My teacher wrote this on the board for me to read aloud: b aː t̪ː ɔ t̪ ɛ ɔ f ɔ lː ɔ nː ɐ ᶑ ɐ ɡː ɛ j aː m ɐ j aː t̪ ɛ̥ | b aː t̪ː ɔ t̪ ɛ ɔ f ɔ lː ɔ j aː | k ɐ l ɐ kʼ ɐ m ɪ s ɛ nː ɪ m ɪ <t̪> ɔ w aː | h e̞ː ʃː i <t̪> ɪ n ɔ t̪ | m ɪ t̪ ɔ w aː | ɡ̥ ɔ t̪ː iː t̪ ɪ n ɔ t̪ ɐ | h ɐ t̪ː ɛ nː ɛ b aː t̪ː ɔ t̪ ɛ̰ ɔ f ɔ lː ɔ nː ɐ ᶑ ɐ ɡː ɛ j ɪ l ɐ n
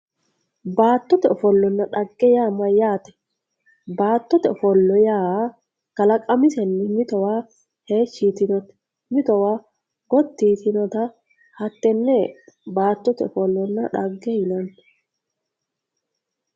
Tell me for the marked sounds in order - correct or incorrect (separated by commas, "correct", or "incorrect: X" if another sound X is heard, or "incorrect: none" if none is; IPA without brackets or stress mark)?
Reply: correct, correct